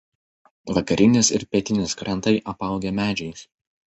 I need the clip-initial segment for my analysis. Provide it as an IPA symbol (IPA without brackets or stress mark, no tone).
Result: ʋ